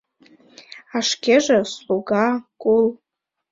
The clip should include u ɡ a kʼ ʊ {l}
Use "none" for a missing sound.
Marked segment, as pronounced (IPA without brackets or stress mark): l